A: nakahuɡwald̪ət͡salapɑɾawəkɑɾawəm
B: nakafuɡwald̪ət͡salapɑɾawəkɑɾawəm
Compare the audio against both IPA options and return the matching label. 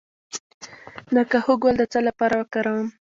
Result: A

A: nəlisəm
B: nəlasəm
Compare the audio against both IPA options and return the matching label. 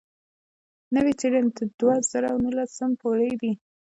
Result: B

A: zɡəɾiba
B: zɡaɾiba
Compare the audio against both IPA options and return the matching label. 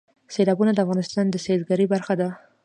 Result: B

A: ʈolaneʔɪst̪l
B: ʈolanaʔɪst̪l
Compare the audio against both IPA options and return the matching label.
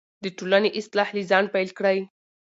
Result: A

